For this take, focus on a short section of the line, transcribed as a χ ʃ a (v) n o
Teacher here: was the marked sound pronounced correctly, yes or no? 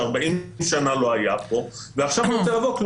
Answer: yes